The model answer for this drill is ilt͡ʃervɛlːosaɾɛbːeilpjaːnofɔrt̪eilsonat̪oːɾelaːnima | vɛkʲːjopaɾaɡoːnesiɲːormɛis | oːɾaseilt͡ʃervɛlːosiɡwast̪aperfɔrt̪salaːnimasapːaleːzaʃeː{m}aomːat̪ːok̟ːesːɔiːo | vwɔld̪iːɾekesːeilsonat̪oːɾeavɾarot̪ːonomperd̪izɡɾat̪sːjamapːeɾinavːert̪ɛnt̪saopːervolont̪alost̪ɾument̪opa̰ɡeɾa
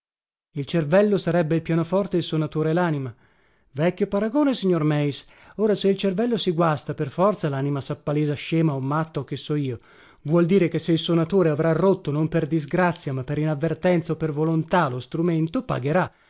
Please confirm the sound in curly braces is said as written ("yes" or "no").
yes